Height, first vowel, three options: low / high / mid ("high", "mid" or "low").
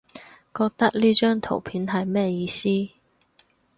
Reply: mid